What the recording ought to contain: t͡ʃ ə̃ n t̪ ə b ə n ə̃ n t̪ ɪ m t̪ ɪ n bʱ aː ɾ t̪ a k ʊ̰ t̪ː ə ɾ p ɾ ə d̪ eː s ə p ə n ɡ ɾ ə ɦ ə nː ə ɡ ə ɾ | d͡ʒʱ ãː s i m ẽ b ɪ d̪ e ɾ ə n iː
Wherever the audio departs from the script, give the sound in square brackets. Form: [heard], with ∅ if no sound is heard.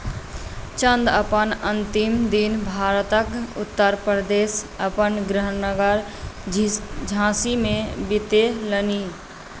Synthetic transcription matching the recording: t͡ʃ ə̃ n [d̪] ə [p] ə n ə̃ n t̪ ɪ m [d̪] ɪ n bʱ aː ɾ t̪ [ə] k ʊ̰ t̪ː ə ɾ p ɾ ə d̪ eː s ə p ə n ɡ ɾ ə ɦ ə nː ə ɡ ə ɾ | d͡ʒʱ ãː s i m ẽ b ɪ [t̪] e [l] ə n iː